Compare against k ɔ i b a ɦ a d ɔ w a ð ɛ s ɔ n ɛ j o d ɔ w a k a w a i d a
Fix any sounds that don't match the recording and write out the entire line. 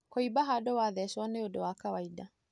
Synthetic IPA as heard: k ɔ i b a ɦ a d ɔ w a ð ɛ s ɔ n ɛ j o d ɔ w a k a w a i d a